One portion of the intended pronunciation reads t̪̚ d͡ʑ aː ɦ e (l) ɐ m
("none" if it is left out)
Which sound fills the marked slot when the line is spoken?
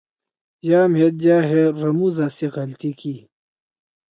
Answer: ɾ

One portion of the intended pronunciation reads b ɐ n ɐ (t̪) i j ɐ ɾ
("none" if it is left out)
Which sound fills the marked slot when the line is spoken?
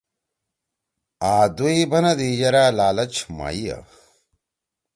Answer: d̪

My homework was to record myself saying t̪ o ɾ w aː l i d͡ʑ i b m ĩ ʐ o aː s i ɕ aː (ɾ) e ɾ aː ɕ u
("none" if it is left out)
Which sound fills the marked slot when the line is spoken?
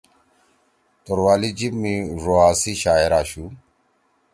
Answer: none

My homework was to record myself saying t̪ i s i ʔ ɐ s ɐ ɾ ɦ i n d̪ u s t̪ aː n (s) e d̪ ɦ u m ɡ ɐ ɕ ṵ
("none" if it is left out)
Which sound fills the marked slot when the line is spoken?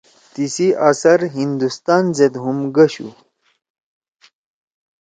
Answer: z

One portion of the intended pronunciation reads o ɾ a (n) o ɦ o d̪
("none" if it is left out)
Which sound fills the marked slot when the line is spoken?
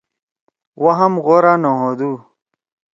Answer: n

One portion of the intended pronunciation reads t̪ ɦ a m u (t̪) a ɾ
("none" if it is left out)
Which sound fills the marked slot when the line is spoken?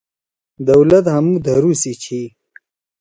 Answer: d̪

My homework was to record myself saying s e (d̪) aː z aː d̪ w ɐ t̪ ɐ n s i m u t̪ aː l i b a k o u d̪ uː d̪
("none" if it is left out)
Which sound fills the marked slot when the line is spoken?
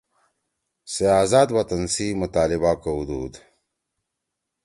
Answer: none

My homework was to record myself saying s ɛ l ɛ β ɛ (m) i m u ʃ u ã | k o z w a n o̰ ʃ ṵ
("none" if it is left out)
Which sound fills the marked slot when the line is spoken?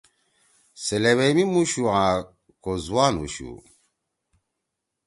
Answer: m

